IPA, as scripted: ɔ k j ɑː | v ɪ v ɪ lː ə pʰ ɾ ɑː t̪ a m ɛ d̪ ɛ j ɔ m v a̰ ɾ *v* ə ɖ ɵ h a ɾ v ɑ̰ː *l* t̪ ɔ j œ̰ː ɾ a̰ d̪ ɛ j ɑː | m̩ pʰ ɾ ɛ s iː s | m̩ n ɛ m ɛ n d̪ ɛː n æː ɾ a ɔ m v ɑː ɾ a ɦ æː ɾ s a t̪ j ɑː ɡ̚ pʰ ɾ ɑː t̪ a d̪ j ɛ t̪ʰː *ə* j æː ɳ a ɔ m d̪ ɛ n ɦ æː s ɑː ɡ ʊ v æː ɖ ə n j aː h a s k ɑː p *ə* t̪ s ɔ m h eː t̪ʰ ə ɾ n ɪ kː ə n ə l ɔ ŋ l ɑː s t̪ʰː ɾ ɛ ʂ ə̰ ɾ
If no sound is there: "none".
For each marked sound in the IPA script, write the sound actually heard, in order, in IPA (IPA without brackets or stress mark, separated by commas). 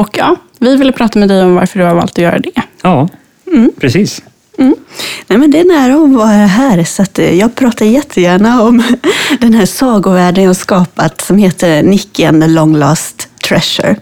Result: f, l, ə, a